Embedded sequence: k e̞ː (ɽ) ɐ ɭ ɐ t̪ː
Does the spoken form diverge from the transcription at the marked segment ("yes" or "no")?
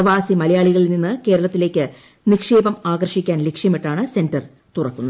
yes